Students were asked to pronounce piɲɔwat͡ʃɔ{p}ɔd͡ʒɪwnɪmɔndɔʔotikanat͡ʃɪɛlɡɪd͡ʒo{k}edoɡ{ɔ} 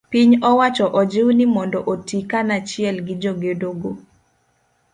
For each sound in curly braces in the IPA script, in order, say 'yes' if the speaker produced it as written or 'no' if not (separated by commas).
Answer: no, no, no